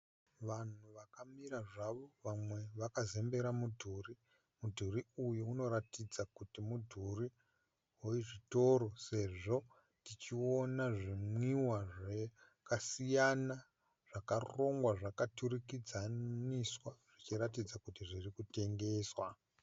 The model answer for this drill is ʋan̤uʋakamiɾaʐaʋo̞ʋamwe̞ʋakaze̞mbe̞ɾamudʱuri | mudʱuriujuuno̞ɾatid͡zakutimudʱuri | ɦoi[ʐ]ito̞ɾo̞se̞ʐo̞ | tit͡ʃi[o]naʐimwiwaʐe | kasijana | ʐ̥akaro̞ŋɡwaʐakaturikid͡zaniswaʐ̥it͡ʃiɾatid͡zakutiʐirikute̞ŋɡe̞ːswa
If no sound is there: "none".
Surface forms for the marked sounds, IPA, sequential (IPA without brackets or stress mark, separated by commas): ʐ, o